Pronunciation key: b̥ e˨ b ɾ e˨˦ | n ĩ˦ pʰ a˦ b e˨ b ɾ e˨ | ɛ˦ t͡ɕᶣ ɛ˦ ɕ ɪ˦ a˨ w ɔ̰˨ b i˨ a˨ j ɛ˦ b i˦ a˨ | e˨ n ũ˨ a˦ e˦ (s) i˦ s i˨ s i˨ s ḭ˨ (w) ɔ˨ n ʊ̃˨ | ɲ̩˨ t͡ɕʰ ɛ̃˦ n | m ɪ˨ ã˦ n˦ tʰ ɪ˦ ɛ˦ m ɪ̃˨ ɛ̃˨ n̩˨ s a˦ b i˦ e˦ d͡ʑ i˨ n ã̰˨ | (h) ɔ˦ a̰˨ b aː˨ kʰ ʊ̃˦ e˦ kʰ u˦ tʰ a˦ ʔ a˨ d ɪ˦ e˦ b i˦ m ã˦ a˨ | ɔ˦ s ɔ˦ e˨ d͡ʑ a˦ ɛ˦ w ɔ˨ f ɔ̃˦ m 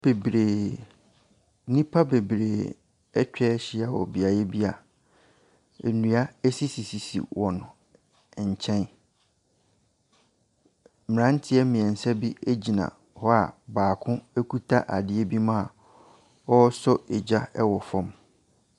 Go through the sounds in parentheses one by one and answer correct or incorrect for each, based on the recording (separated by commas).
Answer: correct, correct, correct